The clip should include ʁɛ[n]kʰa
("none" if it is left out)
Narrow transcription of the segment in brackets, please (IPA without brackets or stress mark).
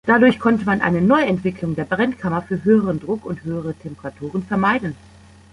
n